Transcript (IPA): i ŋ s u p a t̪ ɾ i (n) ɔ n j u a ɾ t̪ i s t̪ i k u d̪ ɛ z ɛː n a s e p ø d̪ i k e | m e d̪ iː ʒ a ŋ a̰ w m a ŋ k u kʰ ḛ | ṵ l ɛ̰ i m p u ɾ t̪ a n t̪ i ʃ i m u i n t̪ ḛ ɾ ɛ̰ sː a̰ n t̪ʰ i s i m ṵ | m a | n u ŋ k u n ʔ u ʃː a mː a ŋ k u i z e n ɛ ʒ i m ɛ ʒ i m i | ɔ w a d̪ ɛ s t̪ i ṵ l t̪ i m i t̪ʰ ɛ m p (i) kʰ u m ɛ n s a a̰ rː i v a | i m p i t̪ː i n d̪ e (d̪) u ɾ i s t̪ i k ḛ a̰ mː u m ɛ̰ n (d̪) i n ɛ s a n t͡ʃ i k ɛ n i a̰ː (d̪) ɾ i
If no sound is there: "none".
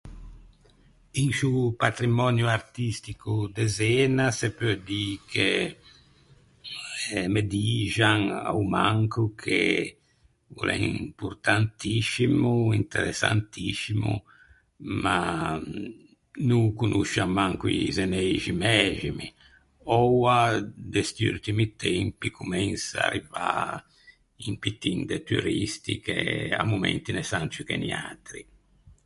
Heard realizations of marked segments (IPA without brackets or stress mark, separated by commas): m, i, t̪, t̪, t̪